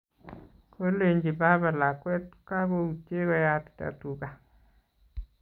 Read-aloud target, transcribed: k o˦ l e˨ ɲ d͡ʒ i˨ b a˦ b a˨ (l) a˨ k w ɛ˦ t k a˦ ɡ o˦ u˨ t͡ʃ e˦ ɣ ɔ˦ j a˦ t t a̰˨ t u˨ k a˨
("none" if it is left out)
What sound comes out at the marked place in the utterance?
l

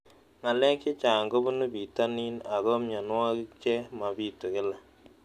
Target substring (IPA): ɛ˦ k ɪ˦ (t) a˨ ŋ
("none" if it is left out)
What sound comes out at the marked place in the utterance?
t͡ʃ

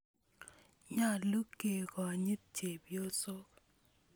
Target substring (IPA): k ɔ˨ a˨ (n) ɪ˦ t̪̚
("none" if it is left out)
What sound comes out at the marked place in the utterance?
ɲ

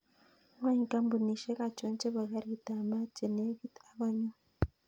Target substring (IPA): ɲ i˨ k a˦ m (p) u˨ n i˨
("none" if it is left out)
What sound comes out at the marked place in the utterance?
b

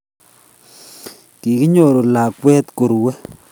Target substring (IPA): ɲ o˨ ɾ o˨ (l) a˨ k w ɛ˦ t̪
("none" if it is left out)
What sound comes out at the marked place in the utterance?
l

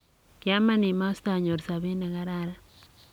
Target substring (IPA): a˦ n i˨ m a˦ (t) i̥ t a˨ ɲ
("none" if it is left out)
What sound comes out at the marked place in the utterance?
s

